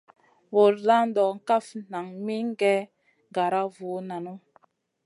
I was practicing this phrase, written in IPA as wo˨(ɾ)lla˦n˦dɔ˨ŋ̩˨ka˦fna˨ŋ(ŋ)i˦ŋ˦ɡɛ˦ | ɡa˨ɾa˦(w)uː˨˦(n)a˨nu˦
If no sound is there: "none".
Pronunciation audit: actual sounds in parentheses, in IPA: none, m, v, n

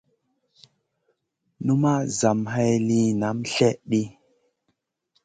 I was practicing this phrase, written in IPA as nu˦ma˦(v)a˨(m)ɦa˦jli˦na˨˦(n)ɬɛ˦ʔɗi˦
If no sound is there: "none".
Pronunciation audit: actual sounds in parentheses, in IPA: z, m, m

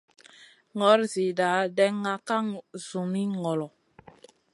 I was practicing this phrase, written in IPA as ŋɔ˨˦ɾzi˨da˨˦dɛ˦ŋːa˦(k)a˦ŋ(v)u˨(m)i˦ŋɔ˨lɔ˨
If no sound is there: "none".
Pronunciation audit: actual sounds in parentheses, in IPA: k, z, m

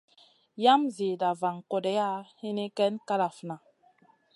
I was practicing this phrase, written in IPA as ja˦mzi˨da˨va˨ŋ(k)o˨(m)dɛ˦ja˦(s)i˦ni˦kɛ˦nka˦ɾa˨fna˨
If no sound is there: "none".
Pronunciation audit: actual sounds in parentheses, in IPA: k, none, h

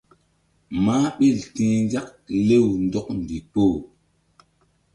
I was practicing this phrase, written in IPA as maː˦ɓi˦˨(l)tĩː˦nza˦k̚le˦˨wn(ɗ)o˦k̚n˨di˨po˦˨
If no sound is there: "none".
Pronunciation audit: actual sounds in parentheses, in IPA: l, d

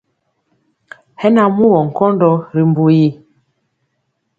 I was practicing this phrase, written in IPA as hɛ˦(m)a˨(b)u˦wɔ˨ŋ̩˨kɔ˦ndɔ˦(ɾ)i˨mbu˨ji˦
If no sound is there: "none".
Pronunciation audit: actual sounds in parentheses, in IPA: n, m, ɾ

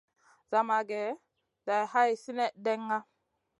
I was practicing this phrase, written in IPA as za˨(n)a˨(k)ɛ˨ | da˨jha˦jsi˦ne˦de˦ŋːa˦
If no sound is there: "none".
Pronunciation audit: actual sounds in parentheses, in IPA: m, ɡ

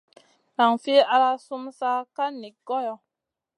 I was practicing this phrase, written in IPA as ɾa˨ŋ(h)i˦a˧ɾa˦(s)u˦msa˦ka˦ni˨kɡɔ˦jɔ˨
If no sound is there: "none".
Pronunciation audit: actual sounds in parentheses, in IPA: f, s

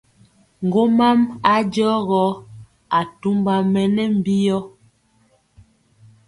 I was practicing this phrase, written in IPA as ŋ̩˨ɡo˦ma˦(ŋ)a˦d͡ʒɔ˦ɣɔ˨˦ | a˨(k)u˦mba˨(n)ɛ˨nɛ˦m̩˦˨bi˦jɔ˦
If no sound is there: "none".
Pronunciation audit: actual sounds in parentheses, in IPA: m, t, m

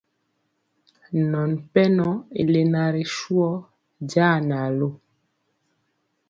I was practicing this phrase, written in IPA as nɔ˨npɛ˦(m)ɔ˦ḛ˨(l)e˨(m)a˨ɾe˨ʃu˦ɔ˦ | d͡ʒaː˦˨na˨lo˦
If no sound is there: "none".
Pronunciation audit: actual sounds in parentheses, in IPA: n, l, n

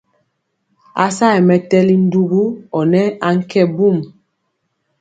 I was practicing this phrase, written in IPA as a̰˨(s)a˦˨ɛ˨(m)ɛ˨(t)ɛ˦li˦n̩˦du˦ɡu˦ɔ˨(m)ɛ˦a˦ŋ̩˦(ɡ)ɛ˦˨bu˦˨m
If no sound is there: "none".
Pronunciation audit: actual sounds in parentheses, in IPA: s, m, t, n, k

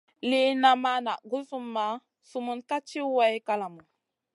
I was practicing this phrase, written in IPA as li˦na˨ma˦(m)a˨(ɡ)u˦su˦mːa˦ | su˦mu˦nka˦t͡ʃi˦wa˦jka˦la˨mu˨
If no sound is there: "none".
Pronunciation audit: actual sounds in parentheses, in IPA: n, ɡ

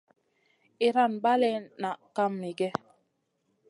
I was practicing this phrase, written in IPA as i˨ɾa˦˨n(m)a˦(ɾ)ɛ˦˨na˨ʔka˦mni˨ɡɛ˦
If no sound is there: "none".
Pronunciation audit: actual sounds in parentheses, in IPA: b, l

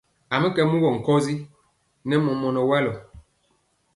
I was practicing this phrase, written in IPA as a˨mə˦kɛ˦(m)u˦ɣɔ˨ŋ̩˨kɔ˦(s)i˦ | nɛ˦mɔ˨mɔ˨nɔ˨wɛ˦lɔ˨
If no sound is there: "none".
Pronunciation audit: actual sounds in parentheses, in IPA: m, z

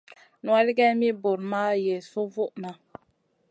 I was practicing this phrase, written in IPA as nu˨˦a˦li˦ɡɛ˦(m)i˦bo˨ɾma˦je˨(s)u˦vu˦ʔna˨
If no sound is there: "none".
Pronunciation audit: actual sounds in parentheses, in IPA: m, s

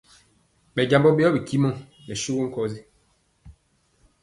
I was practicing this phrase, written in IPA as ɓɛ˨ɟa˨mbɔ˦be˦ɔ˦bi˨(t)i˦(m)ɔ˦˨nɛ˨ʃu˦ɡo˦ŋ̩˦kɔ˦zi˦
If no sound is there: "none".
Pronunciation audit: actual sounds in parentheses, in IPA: k, m

